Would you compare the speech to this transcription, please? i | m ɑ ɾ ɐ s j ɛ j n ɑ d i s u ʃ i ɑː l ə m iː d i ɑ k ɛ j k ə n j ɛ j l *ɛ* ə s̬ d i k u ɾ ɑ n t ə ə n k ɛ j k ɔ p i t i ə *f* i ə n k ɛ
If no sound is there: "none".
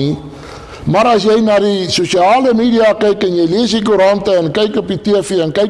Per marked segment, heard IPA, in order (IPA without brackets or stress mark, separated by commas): i, f